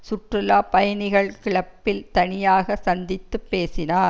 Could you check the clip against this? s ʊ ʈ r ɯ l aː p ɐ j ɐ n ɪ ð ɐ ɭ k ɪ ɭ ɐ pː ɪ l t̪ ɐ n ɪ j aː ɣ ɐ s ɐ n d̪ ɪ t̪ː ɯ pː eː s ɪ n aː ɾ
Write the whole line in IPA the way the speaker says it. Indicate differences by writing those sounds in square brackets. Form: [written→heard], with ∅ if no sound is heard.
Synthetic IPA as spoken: s ʊ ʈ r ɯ l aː p ɐ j ɐ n ɪ [ð→ɣ] ɐ ɭ k ɪ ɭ ɐ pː ɪ l t̪ ɐ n ɪ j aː ɣ ɐ s ɐ n d̪ ɪ t̪ː ɯ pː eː s ɪ n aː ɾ